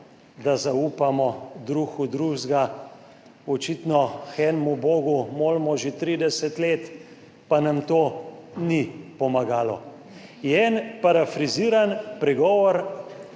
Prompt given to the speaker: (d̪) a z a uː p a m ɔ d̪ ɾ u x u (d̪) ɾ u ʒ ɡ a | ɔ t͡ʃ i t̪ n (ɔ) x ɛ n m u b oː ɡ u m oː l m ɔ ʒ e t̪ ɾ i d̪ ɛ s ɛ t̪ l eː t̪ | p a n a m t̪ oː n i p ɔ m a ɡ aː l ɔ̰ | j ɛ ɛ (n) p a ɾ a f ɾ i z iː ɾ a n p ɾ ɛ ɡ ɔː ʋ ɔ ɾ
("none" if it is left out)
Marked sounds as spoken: d̪, d̪, ɔ, n

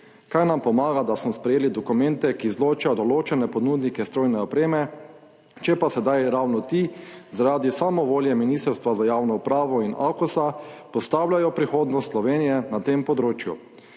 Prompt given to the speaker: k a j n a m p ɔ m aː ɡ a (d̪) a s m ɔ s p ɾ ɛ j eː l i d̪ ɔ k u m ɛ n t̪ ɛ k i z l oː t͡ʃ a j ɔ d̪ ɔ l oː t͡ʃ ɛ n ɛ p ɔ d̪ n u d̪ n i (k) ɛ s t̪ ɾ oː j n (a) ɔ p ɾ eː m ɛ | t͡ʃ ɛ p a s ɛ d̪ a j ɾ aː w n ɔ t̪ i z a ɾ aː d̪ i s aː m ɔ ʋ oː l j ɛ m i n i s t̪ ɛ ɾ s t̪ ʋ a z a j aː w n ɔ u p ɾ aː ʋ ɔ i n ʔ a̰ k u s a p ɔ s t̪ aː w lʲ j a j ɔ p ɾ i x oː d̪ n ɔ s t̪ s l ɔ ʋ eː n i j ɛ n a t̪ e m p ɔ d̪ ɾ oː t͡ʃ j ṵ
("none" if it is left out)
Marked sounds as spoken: d̪, k, ɛ

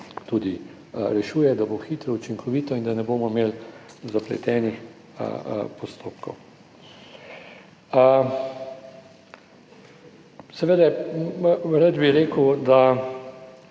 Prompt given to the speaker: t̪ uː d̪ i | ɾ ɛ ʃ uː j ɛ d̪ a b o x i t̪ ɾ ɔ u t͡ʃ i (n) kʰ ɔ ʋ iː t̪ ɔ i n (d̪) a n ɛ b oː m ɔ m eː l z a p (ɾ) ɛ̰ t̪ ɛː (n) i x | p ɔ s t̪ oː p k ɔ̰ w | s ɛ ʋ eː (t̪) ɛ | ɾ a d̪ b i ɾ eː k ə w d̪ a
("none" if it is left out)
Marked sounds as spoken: ŋ, d̪, l, n, d̪

